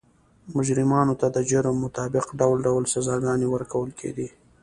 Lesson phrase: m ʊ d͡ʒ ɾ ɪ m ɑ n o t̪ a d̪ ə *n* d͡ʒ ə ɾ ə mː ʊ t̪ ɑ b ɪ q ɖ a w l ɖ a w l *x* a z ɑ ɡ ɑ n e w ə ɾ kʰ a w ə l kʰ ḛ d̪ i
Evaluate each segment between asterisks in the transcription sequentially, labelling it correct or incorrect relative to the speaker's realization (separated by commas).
incorrect, incorrect